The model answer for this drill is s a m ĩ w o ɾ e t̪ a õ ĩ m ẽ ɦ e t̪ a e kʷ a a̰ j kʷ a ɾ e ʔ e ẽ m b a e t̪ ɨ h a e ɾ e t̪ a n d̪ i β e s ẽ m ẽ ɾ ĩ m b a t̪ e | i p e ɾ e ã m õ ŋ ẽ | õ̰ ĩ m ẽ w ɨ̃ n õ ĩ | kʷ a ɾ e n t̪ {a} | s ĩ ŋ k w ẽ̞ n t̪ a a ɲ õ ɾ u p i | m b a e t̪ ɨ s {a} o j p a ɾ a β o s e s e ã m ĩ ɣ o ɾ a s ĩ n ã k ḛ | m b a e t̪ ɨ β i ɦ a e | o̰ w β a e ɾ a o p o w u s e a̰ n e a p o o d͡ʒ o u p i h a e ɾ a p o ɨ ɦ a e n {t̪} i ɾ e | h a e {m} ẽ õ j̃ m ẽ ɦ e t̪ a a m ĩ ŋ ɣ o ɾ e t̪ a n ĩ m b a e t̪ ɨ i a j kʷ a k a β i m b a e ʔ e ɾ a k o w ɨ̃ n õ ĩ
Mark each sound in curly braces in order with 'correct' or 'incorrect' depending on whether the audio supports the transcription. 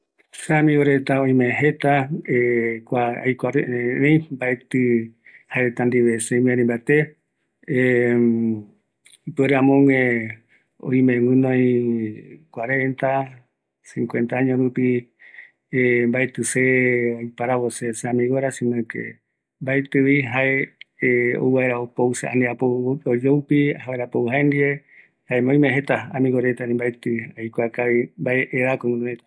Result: correct, incorrect, incorrect, correct

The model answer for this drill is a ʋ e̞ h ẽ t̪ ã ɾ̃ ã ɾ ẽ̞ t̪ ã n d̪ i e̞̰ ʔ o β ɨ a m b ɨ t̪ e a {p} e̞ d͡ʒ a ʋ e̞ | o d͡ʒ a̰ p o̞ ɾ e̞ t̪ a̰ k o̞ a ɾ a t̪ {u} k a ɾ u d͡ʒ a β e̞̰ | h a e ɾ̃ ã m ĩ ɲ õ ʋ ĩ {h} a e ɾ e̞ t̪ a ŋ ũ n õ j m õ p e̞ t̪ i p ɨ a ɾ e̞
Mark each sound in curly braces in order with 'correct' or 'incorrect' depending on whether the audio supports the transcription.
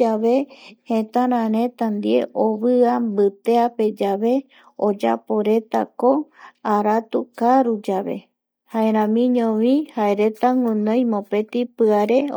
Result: correct, correct, correct

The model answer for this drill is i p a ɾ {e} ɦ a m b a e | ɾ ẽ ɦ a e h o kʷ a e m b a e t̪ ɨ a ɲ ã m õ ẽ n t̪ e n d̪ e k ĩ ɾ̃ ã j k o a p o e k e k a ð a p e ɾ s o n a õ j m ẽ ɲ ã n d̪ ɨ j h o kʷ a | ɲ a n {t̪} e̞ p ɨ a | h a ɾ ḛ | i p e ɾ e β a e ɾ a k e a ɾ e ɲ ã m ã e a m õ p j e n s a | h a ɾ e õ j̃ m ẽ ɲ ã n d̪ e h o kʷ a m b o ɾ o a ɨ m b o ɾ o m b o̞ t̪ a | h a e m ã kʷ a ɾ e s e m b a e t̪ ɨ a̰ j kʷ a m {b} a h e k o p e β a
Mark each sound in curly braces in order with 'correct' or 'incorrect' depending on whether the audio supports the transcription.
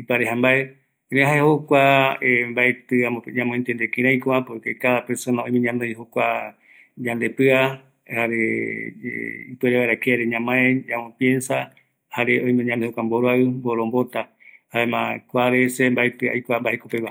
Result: correct, incorrect, correct

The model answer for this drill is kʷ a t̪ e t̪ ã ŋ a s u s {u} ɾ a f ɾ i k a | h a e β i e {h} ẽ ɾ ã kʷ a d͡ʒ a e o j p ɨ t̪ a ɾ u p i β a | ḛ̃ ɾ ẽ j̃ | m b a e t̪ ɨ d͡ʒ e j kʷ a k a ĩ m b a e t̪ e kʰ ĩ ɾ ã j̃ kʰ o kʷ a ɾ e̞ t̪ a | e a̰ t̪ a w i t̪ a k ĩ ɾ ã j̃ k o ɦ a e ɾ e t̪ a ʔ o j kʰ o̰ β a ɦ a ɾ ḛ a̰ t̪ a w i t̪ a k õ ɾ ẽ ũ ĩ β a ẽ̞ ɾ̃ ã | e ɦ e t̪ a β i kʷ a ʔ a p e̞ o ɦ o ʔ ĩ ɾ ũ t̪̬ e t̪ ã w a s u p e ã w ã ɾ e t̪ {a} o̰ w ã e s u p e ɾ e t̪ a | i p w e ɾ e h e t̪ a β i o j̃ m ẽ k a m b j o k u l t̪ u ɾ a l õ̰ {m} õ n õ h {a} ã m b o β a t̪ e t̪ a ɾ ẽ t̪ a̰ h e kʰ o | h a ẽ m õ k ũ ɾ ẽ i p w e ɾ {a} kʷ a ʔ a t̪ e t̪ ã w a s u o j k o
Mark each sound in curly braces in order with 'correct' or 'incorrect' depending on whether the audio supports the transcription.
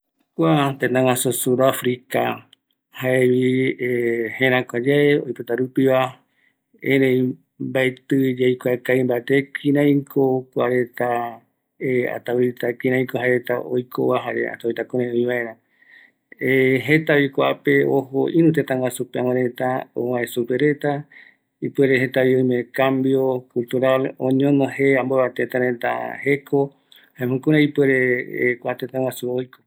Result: correct, correct, correct, incorrect, incorrect, incorrect

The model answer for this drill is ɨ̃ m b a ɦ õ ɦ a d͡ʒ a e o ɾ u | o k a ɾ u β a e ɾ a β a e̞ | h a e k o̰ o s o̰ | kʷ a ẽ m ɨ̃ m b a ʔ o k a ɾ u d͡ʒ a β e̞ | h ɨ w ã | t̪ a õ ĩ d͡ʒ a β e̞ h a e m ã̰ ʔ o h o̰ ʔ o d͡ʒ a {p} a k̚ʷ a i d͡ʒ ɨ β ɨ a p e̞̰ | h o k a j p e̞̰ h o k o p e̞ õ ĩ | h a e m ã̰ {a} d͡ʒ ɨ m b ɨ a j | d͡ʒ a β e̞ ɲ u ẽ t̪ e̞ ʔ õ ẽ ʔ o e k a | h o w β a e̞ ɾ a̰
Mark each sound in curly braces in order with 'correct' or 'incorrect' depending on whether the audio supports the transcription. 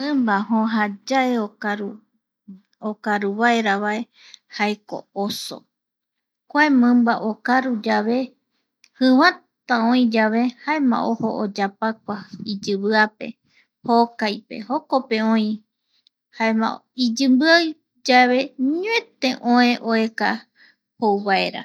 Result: correct, incorrect

